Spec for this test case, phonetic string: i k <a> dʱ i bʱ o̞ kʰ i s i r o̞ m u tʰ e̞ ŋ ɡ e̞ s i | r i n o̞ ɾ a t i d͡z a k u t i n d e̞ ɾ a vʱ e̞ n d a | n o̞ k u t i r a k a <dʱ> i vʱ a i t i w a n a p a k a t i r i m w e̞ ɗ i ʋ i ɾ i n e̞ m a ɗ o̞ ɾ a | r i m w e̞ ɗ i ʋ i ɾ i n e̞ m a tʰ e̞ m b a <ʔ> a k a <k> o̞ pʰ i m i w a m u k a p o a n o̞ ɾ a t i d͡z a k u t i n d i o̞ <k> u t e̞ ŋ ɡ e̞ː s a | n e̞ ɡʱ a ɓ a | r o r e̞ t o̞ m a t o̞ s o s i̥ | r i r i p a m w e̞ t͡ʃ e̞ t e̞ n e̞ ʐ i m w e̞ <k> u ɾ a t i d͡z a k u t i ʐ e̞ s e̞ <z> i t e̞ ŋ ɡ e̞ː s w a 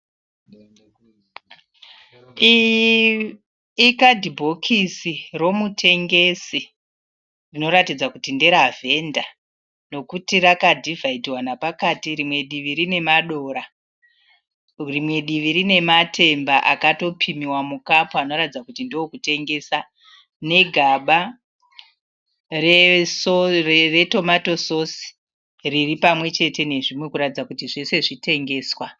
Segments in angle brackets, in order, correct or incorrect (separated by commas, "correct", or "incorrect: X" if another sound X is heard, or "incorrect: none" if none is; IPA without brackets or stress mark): correct, correct, correct, incorrect: t, correct, correct, incorrect: ʐ